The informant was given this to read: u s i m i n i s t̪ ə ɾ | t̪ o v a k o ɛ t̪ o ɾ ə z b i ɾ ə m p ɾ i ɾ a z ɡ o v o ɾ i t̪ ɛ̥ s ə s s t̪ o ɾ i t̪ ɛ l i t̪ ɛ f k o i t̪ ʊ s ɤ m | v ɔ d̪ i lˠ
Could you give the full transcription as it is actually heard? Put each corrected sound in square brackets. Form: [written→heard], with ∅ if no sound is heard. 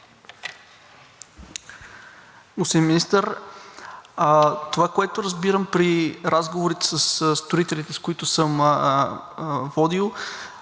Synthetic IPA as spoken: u s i m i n i s t̪ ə ɾ | t̪ o v a k o ɛ t̪ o ɾ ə z b i ɾ ə m p ɾ i ɾ a z ɡ o v o ɾ i t̪ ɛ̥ s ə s s t̪ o ɾ i t̪ ɛ l i t̪ ɛ [f→s] k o i t̪ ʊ s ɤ m | v ɔ d̪ i lˠ